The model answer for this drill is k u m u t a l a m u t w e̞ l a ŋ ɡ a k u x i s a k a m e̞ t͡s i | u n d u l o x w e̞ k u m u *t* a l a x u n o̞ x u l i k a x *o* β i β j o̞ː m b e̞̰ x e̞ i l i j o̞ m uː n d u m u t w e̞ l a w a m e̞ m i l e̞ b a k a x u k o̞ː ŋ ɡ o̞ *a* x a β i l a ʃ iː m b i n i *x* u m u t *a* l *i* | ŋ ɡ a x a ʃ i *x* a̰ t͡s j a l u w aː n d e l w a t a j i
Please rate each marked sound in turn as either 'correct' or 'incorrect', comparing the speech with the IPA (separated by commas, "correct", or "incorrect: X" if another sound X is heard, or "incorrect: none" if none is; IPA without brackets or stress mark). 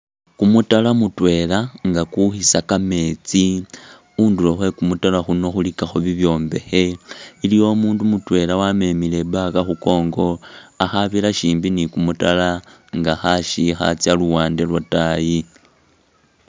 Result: correct, correct, correct, incorrect: k, correct, incorrect: a, correct